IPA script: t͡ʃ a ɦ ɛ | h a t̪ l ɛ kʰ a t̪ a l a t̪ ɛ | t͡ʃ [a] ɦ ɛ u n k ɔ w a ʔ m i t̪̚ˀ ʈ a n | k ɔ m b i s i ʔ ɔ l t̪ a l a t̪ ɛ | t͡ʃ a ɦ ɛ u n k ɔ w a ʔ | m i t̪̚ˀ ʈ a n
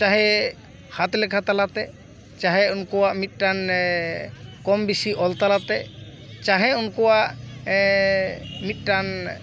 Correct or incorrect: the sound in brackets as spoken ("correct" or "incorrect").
correct